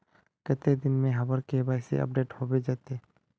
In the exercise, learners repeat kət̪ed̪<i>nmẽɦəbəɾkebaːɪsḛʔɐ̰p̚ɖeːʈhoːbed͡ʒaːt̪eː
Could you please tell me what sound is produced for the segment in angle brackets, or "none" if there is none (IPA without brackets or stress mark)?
ɪ